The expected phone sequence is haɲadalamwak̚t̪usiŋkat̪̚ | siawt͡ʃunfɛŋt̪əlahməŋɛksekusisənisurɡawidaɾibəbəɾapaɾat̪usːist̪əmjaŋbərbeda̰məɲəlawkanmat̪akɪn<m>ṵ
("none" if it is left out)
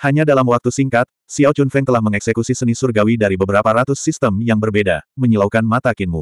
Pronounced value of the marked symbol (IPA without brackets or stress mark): m